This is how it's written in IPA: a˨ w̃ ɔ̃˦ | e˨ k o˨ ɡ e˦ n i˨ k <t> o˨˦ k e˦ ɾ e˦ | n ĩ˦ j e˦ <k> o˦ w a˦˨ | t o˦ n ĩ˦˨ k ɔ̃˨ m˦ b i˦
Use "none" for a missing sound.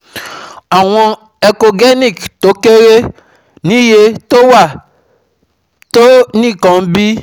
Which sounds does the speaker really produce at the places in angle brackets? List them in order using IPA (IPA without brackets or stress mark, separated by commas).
t, t